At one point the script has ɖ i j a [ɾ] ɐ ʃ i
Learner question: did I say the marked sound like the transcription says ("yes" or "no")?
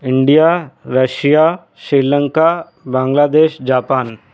yes